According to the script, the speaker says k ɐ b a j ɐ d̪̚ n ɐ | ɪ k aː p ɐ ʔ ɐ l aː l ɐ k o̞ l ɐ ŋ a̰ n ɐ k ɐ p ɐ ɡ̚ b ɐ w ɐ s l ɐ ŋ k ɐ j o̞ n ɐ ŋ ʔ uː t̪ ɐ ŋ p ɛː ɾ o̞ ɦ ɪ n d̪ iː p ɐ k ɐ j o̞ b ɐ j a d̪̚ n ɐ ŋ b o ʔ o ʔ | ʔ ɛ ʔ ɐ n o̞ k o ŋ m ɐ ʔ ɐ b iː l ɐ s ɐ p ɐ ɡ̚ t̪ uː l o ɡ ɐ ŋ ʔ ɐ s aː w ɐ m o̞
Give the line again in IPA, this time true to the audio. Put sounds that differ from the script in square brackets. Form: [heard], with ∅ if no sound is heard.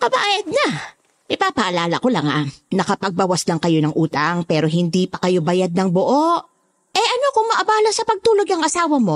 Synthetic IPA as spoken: k ɐ b a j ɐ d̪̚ n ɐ | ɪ [p] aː p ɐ ʔ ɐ l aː l ɐ k o̞ l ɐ ŋ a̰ n ɐ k ɐ p ɐ ɡ̚ b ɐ w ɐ s l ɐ ŋ k ɐ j o̞ n ɐ ŋ ʔ uː t̪ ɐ ŋ p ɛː ɾ o̞ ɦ ɪ n d̪ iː p ɐ k ɐ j o̞ b ɐ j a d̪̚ n ɐ ŋ b o ʔ o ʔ | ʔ ɛ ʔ ɐ n o̞ k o ŋ m ɐ ʔ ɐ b [aː] l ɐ s ɐ p ɐ ɡ̚ t̪ uː l o ɡ ɐ ŋ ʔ ɐ s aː w ɐ m o̞